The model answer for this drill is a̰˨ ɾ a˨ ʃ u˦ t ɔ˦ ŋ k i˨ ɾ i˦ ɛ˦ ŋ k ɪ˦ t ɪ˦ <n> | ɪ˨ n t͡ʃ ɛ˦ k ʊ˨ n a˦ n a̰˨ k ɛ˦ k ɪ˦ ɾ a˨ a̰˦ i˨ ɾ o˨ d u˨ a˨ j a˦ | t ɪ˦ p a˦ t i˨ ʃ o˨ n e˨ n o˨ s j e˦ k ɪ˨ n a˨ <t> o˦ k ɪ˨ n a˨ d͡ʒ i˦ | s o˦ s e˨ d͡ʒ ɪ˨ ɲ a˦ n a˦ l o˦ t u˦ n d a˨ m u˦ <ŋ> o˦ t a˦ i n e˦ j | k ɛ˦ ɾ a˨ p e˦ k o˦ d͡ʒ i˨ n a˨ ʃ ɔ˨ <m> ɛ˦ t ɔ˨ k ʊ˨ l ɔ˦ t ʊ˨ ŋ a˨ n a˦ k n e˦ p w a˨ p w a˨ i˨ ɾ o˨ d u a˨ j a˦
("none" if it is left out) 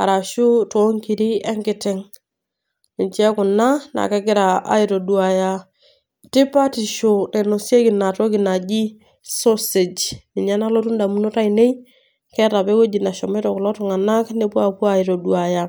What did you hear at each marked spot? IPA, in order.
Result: ŋ, t, n, m

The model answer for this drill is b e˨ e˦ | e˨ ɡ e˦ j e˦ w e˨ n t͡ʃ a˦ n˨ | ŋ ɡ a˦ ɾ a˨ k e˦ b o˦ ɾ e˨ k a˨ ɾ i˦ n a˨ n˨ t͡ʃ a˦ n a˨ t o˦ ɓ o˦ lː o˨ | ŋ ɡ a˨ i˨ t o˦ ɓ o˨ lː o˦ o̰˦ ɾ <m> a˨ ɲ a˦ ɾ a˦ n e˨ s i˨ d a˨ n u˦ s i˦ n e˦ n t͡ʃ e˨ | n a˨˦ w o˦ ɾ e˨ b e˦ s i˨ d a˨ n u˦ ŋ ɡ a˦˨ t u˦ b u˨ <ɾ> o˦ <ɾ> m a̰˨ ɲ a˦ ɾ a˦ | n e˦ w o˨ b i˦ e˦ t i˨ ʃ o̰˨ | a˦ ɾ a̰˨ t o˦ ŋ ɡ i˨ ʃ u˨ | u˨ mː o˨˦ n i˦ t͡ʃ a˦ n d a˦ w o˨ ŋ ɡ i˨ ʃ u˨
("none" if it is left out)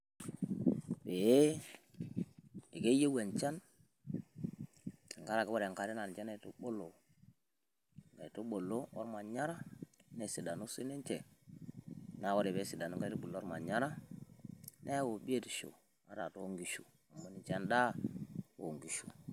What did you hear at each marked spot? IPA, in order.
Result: m, l, ɾ

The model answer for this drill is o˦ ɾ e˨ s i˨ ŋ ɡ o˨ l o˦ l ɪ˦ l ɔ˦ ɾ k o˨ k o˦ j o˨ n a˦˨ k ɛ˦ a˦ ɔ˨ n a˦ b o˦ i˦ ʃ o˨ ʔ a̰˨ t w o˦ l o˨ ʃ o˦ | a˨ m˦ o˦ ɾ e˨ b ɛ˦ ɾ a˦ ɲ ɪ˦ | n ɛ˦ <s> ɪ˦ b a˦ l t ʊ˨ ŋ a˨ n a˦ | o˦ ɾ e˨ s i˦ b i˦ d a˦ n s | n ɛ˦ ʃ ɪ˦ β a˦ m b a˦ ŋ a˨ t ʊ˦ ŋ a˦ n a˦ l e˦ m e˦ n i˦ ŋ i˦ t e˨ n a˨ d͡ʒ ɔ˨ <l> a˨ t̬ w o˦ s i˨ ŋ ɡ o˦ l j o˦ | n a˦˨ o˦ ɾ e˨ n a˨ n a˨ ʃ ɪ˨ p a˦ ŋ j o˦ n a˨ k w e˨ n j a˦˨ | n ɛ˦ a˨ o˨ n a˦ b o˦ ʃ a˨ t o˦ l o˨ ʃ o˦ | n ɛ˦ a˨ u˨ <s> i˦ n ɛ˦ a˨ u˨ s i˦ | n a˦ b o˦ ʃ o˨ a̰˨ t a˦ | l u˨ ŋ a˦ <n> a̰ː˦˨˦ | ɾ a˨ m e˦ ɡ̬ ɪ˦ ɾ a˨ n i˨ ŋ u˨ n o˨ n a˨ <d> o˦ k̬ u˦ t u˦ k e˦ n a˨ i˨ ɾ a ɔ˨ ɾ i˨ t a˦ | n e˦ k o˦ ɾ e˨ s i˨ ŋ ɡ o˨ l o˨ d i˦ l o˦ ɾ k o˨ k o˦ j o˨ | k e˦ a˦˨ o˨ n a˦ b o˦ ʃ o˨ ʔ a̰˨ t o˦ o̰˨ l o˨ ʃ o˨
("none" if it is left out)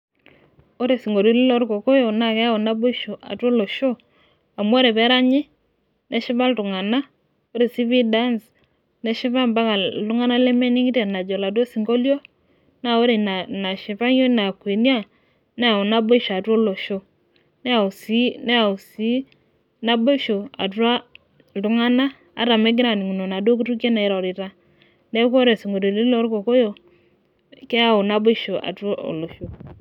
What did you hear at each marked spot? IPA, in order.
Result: ʃ, l, s, n, d

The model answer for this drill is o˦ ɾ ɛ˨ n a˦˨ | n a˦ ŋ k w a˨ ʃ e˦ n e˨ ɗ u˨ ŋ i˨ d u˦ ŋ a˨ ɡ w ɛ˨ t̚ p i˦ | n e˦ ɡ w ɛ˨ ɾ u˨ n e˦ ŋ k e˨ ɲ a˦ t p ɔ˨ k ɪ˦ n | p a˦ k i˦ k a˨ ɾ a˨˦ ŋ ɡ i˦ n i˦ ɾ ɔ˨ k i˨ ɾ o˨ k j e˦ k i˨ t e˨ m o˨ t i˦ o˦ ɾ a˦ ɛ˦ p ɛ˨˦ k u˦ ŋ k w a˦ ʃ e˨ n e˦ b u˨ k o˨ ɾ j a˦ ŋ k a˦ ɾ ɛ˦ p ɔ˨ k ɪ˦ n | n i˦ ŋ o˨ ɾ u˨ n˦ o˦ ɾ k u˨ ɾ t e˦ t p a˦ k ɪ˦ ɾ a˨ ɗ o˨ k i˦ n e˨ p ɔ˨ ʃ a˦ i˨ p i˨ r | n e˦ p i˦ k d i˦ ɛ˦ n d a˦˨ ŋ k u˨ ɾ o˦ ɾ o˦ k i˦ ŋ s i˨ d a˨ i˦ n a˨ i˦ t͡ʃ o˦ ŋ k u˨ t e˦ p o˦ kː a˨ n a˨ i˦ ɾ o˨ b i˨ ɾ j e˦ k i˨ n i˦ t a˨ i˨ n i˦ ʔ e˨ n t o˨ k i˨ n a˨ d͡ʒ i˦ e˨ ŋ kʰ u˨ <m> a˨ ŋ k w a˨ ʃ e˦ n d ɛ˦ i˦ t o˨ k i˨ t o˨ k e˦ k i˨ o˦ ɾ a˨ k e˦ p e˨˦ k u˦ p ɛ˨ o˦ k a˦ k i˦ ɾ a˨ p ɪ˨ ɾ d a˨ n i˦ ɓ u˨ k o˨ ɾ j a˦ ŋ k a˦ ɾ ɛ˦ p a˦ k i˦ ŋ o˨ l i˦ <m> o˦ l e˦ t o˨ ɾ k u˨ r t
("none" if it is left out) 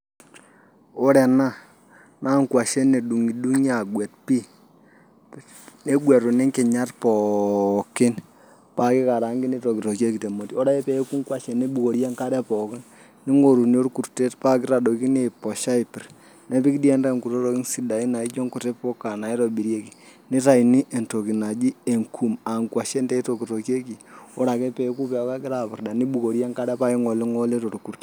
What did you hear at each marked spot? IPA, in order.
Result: m, ŋ

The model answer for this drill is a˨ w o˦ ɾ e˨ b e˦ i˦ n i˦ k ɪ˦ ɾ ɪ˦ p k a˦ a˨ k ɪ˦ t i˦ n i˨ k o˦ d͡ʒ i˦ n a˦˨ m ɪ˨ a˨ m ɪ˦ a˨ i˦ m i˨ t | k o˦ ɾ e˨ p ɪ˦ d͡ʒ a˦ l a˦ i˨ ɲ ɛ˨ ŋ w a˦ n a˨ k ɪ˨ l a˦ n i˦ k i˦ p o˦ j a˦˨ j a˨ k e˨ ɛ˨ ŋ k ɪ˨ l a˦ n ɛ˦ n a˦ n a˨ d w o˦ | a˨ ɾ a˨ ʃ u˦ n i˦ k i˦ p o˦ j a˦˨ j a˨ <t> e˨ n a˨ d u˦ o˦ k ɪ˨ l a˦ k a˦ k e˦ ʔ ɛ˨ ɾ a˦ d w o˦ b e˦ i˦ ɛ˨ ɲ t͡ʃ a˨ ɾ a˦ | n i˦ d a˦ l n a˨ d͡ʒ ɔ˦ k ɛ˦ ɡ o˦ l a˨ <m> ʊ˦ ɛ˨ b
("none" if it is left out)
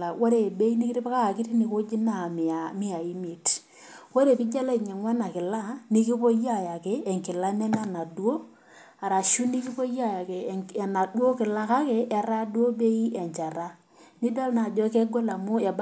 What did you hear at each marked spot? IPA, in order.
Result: k, m

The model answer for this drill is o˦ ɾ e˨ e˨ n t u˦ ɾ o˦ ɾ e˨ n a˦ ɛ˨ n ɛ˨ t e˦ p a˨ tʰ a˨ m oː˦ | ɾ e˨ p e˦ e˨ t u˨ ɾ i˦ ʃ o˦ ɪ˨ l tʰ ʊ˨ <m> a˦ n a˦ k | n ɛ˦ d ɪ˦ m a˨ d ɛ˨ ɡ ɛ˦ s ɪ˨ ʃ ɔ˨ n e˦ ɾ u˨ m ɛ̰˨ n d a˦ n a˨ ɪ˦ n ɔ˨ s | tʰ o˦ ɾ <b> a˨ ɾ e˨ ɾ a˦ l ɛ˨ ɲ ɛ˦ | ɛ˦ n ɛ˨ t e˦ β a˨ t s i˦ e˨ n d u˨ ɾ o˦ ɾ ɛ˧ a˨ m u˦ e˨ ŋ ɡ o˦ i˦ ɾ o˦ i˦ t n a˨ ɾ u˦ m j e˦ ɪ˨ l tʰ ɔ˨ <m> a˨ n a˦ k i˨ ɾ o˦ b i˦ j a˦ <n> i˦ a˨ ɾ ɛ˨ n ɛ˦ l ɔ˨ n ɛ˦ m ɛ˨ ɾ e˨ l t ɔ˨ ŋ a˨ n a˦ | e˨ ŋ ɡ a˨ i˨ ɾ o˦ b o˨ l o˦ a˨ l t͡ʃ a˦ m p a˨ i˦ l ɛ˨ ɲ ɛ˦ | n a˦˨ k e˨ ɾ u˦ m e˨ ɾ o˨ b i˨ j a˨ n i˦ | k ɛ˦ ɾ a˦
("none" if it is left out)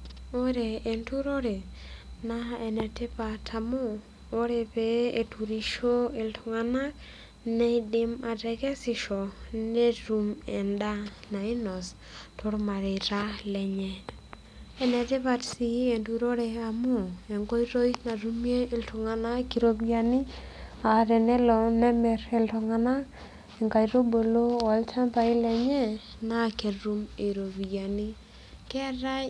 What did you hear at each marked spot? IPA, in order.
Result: ŋ, m, ŋ, n

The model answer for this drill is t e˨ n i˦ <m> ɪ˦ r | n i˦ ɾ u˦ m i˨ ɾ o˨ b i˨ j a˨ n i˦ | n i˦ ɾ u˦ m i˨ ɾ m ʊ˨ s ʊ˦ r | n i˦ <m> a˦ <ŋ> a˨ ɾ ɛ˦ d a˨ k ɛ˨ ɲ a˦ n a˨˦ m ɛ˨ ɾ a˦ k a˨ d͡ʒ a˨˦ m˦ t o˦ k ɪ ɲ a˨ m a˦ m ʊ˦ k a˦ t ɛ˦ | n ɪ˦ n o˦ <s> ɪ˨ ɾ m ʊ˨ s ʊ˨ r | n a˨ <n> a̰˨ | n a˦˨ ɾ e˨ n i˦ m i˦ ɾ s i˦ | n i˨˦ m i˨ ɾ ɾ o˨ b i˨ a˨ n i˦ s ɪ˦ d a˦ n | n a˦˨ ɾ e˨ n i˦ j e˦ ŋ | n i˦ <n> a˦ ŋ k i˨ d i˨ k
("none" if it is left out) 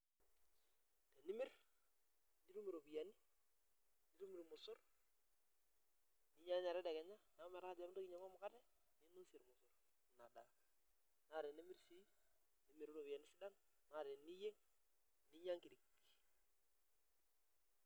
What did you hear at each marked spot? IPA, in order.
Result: m, ɲ, ɲ, s, d, ɲ

